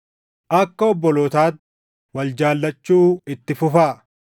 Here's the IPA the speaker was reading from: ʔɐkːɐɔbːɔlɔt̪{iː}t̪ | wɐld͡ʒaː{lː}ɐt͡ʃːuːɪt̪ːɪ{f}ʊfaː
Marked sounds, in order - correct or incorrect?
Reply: incorrect: aː, correct, correct

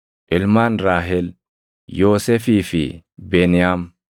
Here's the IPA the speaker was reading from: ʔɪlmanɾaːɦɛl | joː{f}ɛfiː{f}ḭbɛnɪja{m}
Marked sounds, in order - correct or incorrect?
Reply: incorrect: s, correct, correct

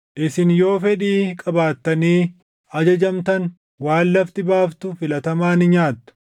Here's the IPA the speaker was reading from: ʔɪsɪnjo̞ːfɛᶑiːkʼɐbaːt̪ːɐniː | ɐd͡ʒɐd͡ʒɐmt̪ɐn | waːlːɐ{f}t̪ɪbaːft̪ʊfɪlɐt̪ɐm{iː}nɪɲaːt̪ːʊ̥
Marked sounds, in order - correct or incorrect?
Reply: correct, incorrect: aː

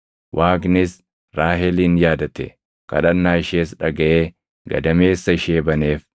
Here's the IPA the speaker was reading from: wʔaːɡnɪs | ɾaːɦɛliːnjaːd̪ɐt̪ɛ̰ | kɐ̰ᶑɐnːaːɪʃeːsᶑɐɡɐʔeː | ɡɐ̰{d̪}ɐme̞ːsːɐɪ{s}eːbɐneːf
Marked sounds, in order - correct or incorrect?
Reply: correct, incorrect: ʃ

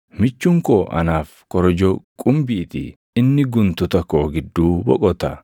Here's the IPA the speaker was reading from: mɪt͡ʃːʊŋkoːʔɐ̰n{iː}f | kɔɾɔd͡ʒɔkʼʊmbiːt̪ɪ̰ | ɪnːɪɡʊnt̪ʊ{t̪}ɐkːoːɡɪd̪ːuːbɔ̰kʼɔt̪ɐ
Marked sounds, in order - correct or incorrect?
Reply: incorrect: aː, correct

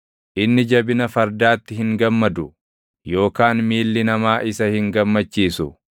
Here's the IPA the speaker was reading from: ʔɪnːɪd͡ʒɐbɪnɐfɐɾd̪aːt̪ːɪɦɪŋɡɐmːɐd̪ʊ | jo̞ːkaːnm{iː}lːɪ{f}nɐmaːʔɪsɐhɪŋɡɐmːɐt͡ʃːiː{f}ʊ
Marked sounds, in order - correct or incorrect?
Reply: correct, incorrect: none, incorrect: s

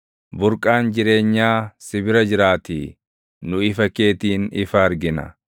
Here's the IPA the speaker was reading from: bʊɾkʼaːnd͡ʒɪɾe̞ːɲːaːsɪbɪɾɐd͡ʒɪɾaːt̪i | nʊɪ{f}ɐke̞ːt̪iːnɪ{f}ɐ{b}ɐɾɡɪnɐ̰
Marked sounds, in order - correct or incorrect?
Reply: correct, correct, incorrect: none

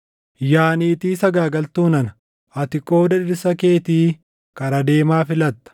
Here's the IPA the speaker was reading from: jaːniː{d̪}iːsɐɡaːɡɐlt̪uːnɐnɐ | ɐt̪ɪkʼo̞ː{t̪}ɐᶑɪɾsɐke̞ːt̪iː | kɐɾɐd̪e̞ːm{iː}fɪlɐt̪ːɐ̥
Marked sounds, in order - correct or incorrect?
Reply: incorrect: t̪, incorrect: d̪, incorrect: aː

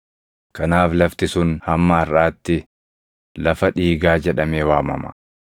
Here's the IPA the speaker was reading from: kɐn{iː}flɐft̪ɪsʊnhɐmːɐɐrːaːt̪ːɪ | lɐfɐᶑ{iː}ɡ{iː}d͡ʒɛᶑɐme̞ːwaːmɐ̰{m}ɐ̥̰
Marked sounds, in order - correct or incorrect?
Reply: incorrect: aː, correct, incorrect: aː, correct

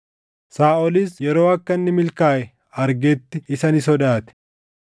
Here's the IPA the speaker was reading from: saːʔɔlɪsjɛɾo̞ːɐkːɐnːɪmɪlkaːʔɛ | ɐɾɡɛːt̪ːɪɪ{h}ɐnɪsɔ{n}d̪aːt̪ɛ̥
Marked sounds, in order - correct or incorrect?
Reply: incorrect: s, incorrect: none

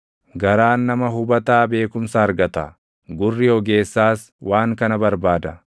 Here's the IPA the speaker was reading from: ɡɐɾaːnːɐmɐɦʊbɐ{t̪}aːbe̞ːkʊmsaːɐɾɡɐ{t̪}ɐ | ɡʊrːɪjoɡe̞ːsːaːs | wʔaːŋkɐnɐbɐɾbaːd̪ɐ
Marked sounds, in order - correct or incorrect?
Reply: correct, correct

